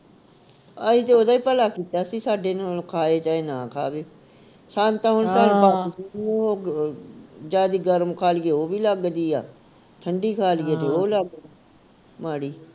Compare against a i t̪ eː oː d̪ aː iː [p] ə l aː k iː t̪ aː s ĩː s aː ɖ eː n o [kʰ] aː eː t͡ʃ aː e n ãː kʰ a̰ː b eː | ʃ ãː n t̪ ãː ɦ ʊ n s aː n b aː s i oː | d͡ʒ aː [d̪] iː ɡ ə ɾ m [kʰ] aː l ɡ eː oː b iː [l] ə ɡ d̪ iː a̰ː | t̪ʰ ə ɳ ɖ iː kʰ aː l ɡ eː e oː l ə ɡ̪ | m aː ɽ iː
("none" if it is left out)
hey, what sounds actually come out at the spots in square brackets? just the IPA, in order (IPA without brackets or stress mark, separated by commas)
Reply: p, kʰ, d̪, kʰ, l